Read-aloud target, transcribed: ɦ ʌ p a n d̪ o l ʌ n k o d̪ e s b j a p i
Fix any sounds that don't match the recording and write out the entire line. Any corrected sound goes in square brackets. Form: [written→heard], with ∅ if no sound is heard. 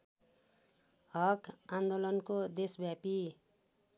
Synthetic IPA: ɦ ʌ [p→k] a n d̪ o l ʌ n k o d̪ e s b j a p i